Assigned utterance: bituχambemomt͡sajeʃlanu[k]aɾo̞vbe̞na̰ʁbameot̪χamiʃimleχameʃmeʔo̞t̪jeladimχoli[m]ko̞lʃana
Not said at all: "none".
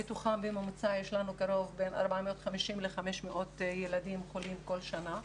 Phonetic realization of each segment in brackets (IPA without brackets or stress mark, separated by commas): k, m